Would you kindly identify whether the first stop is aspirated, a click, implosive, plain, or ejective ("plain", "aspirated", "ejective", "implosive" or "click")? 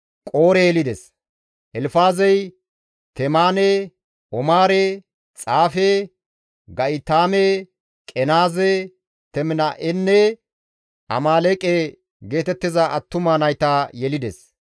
ejective